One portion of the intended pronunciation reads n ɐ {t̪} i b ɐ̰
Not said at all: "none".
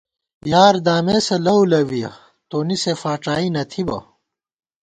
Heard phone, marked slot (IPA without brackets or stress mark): t̪ʰ